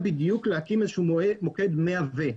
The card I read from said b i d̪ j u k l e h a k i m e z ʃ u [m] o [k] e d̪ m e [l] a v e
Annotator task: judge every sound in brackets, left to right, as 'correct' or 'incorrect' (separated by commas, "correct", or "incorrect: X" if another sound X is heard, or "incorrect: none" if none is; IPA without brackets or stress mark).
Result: correct, correct, incorrect: none